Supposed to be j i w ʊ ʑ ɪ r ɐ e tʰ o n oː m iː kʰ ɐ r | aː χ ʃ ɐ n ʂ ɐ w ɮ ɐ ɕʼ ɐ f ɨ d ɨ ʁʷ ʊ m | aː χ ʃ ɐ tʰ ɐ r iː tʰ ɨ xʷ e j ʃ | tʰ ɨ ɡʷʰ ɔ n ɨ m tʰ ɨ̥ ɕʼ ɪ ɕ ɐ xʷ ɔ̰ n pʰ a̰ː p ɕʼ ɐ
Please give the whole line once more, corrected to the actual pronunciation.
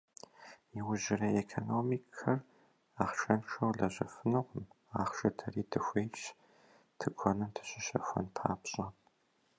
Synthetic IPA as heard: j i w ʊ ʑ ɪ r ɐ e kʰ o n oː m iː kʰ ɐ r | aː χ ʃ ɐ n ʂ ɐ w ɮ ɐ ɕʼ ɐ f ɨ n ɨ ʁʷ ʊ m | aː χ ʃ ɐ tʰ ɐ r iː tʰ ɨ xʷ e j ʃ | tʰ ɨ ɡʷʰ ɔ n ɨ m tʰ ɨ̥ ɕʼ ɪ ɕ ɐ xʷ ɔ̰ n pʰ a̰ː p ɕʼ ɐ